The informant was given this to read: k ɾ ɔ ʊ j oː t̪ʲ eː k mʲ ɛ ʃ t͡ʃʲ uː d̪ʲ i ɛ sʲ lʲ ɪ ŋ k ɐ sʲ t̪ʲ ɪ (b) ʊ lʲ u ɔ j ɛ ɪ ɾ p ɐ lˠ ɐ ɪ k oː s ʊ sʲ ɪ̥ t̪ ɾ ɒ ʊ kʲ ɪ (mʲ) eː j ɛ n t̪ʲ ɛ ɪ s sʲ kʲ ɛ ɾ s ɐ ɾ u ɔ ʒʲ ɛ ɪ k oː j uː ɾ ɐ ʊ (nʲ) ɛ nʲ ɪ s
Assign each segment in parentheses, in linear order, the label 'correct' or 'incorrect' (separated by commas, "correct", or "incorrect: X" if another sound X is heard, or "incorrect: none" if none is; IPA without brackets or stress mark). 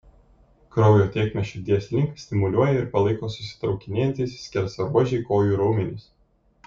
incorrect: m, incorrect: nʲ, incorrect: mʲ